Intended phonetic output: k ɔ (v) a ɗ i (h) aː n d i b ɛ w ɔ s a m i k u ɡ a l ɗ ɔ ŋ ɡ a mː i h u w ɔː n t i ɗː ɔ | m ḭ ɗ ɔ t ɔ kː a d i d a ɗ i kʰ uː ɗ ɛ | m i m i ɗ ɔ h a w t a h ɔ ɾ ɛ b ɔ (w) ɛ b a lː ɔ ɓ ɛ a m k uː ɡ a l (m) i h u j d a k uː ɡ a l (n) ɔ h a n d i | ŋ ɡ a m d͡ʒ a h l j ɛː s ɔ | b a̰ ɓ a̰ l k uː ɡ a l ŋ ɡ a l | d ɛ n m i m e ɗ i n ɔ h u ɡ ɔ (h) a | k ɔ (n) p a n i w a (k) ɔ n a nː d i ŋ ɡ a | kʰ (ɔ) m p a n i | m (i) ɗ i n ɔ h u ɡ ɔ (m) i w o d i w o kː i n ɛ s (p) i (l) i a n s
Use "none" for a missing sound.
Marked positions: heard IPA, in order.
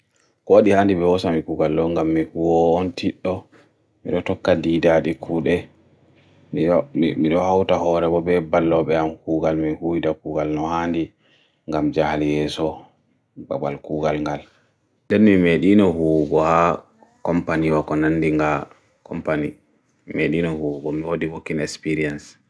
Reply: w, h, b, m, n, h, m, k, ɔ, e, m, p, ɾ

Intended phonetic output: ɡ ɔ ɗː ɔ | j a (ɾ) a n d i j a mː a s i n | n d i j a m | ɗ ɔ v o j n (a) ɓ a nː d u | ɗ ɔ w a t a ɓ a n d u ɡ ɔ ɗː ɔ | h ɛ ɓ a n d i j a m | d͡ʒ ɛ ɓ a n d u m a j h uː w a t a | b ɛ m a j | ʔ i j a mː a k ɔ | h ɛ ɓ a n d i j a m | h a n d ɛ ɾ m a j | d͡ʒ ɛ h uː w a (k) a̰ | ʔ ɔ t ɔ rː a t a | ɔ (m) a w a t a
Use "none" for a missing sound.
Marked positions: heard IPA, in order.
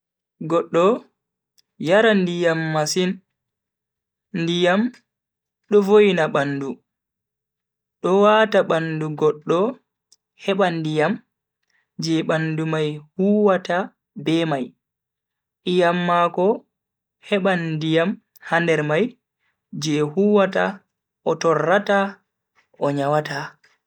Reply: ɾ, a, t, ɲ

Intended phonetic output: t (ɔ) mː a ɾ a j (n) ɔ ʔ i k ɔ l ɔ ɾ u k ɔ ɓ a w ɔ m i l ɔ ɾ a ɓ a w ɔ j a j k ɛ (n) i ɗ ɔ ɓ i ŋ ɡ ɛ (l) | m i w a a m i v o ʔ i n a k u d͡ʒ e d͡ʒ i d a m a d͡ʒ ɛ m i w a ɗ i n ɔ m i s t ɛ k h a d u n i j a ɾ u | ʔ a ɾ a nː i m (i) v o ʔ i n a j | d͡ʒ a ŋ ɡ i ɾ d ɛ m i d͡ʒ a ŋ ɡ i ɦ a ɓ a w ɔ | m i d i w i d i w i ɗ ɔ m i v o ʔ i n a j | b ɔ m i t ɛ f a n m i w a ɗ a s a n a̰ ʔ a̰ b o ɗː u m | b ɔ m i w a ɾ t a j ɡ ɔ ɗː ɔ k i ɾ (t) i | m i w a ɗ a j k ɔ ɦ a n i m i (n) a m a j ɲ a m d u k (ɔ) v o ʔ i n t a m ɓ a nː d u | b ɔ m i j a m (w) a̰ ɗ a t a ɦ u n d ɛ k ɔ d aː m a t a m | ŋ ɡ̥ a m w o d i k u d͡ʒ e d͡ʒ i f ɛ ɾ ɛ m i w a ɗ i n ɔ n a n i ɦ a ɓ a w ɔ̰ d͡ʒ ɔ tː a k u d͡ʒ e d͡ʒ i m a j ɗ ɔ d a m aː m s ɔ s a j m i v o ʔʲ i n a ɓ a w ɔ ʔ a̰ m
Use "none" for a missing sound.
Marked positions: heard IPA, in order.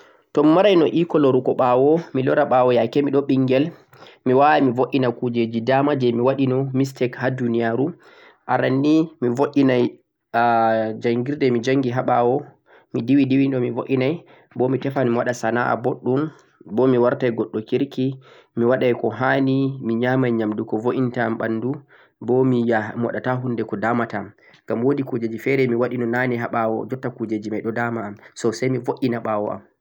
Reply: ɔ, n, m, l, i, k, ɲ, ɔ, w

